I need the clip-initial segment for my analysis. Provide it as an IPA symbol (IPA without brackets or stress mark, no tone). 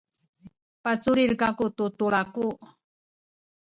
p